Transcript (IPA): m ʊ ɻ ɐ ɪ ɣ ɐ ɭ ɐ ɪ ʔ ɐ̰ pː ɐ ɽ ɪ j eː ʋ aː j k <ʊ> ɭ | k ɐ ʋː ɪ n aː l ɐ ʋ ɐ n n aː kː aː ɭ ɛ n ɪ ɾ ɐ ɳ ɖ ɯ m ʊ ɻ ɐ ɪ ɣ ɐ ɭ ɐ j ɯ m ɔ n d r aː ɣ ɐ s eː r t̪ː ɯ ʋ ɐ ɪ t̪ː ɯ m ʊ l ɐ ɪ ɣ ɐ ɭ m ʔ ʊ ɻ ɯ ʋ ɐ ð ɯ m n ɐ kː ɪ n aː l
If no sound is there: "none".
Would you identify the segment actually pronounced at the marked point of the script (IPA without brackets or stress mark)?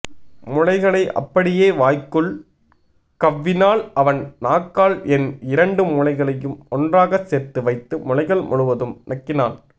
ɯ